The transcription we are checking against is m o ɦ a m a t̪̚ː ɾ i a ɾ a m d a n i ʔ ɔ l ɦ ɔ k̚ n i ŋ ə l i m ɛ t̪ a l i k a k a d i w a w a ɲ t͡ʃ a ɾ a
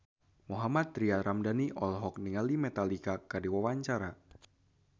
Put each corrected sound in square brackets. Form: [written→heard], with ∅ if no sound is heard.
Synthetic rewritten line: m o ɦ a m a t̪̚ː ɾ i a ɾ a m d a n i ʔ ɔ l ɦ ɔ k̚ n i ŋ [ə→a] l i m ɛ t̪ a l i k a k a d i w a w a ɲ t͡ʃ a ɾ a